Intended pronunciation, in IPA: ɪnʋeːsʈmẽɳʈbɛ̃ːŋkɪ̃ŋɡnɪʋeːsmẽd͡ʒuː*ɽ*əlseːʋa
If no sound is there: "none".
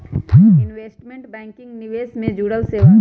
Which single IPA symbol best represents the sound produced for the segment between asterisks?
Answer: ɽ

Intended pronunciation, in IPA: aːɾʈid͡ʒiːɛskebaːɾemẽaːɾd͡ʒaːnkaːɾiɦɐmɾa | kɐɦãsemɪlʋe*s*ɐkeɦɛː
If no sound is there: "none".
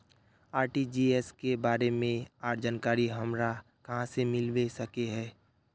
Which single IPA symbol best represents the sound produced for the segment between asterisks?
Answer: s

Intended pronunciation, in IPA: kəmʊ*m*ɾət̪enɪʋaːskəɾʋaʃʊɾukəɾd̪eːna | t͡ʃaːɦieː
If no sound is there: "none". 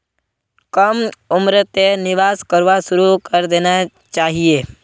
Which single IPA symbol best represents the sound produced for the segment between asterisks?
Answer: m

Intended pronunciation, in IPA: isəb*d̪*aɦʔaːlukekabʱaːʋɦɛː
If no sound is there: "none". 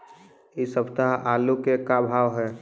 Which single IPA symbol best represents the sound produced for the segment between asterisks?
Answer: t̪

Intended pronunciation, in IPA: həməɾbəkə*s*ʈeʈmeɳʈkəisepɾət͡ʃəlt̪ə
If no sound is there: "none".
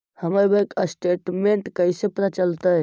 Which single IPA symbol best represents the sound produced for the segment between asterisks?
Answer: s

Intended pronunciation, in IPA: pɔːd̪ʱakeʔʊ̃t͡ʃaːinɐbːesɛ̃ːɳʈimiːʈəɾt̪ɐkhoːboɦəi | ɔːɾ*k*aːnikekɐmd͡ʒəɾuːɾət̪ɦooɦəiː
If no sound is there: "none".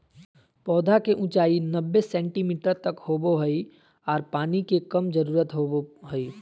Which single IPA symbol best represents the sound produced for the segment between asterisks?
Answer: p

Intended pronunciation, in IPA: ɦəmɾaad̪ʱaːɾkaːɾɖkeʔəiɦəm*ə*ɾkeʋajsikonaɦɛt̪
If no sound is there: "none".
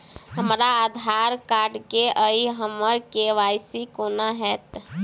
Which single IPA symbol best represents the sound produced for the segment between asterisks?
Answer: ə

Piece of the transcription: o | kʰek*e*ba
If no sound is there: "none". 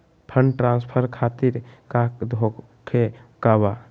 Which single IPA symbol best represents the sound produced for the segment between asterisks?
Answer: a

